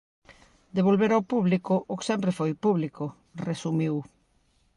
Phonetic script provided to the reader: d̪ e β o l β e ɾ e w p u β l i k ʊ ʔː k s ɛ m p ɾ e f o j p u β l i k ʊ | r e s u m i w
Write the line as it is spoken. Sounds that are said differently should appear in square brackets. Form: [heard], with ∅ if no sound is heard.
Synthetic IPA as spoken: d̪ e β o l β e ɾ [a] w p u β l i k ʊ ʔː k s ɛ m p ɾ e f o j p u β l i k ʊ | r e s u m i w